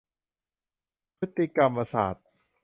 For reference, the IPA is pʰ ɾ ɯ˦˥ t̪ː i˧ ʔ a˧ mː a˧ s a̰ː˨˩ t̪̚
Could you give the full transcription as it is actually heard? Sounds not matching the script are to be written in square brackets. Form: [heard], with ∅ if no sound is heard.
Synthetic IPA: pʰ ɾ ɯ˦˥ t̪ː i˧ [k] a˧ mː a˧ s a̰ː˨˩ t̪̚

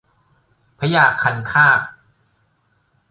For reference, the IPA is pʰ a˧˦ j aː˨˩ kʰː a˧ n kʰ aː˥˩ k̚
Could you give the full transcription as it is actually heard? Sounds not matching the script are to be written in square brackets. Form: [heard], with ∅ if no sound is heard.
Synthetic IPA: pʰ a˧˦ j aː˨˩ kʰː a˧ n kʰ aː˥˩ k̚

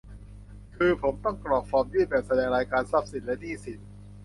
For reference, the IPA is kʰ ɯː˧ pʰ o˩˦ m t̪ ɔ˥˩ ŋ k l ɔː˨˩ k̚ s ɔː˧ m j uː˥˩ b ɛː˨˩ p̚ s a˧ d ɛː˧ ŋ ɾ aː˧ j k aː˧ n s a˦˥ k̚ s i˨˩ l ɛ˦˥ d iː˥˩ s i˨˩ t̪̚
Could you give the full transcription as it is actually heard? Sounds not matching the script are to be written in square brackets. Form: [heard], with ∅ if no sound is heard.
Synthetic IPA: kʰ ɯː˧ pʰ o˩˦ m t̪ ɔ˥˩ ŋ k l ɔː˨˩ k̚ [f] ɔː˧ m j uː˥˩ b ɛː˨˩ p̚ s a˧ d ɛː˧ ŋ ɾ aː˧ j k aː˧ n s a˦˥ [p̚] s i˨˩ l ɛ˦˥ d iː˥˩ s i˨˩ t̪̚

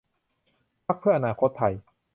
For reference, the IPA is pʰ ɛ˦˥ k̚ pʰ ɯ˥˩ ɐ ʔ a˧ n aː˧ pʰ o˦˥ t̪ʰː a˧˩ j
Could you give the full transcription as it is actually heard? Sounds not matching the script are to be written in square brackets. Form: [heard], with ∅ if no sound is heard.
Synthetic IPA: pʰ [a˦˥] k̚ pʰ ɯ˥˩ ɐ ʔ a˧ n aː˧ [kʰ] o˦˥ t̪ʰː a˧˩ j

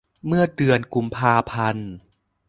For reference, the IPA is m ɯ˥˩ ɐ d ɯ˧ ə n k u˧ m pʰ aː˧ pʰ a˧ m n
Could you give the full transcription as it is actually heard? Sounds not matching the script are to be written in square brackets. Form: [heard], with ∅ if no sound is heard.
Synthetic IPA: m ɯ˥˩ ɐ d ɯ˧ ə n k u˧ m pʰ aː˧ pʰ a˧ [∅] n

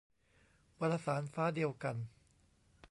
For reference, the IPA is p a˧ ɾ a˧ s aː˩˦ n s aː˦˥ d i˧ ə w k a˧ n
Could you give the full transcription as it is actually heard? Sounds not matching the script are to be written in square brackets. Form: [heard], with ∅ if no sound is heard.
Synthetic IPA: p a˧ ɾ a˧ s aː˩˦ n [f] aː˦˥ d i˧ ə w k a˧ n

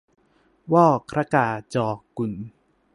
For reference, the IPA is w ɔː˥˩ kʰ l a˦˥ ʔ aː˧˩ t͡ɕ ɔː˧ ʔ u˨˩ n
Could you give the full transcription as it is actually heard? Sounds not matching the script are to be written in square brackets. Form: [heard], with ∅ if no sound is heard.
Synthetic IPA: w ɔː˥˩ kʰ [ɾ] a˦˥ [k] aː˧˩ t͡ɕ ɔː˧ [k] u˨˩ n

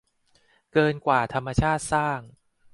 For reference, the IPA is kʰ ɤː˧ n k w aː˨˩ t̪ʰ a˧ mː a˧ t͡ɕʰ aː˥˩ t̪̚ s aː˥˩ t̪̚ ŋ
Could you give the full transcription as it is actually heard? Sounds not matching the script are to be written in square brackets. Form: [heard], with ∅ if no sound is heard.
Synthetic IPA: [k] ɤː˧ n k w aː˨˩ t̪ʰ a˧ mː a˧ t͡ɕʰ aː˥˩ t̪̚ s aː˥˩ [∅] ŋ

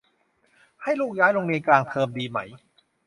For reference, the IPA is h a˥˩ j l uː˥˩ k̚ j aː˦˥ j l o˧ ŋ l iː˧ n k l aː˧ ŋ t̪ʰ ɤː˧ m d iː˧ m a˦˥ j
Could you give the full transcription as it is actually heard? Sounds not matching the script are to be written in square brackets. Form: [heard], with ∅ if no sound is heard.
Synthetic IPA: h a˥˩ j l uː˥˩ k̚ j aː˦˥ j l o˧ ŋ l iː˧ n k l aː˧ ŋ t̪ʰ ɤː˧ m d iː˧ m a˦˥ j

